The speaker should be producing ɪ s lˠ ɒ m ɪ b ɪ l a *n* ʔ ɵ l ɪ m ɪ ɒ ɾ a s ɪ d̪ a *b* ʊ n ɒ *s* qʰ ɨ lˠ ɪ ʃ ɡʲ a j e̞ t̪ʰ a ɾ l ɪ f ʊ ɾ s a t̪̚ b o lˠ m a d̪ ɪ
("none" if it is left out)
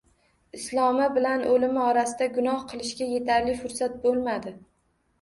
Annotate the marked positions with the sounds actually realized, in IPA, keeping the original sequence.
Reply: n, ɡ, h

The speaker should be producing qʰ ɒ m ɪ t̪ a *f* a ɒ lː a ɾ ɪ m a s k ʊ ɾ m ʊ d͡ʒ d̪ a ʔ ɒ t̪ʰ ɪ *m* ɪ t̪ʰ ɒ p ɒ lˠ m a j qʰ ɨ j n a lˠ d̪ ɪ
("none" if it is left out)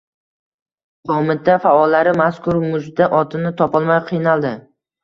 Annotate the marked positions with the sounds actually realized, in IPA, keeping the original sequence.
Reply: f, n

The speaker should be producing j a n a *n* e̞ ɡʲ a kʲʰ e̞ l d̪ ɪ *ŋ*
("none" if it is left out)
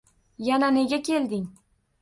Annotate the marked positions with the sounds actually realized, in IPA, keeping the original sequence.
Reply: n, ŋ

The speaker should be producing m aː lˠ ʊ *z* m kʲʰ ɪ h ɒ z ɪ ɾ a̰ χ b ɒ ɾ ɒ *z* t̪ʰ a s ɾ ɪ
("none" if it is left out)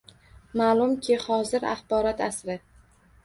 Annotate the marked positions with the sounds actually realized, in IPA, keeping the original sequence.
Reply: none, none

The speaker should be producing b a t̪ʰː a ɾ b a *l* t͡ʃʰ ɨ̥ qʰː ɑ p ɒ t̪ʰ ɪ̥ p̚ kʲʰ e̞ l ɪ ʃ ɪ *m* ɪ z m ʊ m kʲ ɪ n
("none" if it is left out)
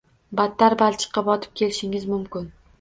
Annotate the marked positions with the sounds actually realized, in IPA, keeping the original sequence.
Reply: l, ŋ

